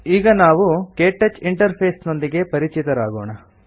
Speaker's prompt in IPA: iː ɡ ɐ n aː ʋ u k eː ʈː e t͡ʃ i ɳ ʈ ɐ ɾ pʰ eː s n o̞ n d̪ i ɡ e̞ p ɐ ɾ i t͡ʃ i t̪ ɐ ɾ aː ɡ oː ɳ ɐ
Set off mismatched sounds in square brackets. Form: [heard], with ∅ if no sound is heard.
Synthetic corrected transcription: iː ɡ ɐ n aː ʋ u k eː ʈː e t͡ʃ i ɳ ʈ ɐ ɾ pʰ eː s n o̞ n d̪ i ɡ e̞ p ɐ ɾ i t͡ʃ i t̪ ɐ ɾ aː ɡ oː ɳ ɐ